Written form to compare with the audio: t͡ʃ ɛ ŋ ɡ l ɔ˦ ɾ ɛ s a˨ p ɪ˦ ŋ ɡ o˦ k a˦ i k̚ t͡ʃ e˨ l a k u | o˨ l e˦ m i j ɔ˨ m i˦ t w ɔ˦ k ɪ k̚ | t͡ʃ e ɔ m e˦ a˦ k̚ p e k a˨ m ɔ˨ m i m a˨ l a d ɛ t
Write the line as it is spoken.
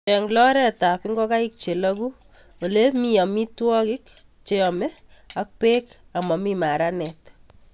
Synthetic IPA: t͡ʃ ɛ ŋ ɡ l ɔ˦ ɾ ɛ t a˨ p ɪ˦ ŋ ɡ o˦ k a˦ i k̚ t͡ʃ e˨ l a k u | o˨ l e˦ m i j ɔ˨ m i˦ t w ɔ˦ k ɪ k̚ | t͡ʃ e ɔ m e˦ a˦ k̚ p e k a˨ m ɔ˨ m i m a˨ ɾ a n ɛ t